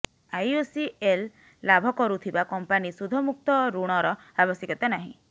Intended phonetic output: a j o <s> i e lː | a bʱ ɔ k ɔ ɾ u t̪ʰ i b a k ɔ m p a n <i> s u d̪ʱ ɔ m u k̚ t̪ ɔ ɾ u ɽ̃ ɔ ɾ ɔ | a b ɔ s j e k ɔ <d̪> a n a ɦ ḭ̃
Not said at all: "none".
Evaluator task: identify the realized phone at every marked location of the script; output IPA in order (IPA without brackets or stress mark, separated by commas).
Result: s, i, t̪